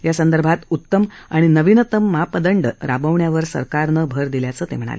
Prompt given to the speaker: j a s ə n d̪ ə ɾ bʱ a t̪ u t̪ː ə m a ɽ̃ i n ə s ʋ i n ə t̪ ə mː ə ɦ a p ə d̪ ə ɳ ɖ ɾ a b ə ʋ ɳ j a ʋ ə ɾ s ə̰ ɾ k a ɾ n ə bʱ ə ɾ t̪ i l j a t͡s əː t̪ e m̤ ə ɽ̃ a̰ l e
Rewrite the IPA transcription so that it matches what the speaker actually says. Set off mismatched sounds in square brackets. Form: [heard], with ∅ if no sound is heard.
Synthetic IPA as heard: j a s ə n d̪ ə ɾ bʱ a t̪ u t̪ː ə m a ɽ̃ i n ə [∅] ʋ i n ə t̪ ə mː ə ɦ a p ə d̪ ə ɳ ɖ ɾ a b ə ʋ ɳ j a ʋ ə ɾ s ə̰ ɾ k a ɾ n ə bʱ ə ɾ [d̪] i l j a t͡s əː t̪ e m̤ ə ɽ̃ a̰ l e